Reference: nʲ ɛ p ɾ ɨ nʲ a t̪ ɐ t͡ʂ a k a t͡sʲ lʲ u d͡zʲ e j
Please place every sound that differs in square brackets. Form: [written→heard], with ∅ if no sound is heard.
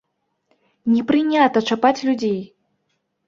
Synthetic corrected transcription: nʲ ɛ p ɾ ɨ nʲ a t̪ ɐ t͡ʂ a [k→p] a t͡sʲ lʲ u d͡zʲ e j